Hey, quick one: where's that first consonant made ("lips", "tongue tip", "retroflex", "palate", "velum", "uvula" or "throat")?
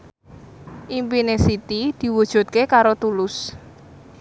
throat